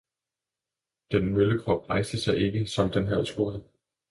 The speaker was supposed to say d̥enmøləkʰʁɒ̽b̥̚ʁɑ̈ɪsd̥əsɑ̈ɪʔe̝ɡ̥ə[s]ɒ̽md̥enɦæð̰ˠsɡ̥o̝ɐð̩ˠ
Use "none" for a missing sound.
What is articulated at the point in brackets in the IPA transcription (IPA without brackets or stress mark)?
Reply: s